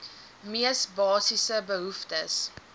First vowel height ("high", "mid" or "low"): high